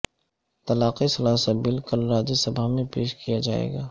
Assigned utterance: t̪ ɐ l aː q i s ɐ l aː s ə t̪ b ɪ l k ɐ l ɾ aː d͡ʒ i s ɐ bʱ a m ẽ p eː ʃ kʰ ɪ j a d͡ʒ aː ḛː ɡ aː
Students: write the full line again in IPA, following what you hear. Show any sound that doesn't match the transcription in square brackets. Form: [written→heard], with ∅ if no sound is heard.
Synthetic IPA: t̪ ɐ l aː q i s ɐ l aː s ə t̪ b ɪ l k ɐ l ɾ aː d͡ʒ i s ɐ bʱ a m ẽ p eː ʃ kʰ [ɪ→i] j a d͡ʒ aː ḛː ɡ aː